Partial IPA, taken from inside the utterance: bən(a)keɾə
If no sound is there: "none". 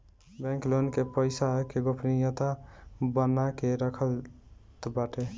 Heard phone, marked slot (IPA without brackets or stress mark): a